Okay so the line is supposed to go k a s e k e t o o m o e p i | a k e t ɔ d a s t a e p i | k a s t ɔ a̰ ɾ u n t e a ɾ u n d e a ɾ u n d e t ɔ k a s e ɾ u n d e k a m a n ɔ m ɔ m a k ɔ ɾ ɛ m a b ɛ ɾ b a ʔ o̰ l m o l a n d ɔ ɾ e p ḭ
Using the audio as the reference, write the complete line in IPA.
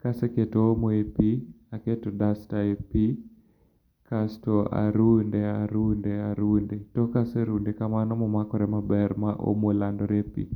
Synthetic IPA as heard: k a s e k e t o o m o e p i | a k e t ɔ d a s t a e p i | k a s t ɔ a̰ ɾ u n d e a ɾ u n d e a ɾ u n d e t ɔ k a s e ɾ u n d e k a m a n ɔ m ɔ m a k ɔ ɾ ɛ m a b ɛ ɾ m a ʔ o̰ m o l a n d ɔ ɾ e p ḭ